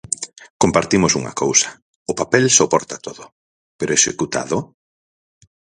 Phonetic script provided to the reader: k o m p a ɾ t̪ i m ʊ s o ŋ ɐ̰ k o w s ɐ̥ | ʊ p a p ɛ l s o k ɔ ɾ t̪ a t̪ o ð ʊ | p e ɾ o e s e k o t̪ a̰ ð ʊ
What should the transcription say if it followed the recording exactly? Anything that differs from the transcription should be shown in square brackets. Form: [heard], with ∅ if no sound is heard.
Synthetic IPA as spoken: k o m p a ɾ t̪ i m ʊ s [u] ŋ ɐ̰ k o w s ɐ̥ | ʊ p a p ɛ l s o [p] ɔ ɾ t̪ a t̪ o ð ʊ | p e ɾ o e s e k [u] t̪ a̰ ð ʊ